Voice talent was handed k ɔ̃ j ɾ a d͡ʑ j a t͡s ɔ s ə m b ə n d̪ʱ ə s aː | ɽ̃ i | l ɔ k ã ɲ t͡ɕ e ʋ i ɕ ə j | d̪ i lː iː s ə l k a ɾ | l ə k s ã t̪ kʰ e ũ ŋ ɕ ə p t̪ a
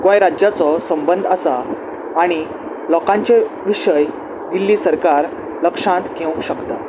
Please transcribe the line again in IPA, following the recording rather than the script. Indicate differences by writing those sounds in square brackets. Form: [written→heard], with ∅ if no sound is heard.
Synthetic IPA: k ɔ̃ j ɾ a d͡ʑ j a t͡s ɔ s ə m b ə n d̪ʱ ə s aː | ɽ̃ i | l ɔ k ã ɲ t͡ɕ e ʋ i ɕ ə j | d̪ i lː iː s ə [l→ɾ] k a ɾ | l ə k [s→ʂ] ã t̪ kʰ e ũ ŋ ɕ ə [p→k] t̪ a